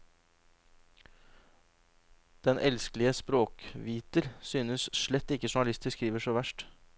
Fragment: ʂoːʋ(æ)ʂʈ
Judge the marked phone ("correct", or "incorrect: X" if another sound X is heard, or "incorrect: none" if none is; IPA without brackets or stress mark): correct